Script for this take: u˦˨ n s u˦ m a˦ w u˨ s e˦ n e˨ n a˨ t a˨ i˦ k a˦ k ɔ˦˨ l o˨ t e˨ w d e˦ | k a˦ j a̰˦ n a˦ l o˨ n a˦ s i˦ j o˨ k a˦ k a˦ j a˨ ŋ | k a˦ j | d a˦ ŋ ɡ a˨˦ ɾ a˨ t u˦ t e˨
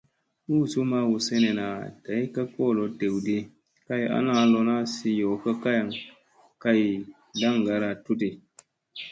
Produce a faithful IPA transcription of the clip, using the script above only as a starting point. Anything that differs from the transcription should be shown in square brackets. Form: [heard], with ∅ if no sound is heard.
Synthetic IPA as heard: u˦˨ [∅] s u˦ m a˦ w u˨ s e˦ n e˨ n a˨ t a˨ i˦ k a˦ k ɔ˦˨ l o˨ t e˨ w d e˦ | k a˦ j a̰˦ n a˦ l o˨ n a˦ s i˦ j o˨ k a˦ k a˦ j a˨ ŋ | k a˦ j | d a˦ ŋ ɡ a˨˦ ɾ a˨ t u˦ t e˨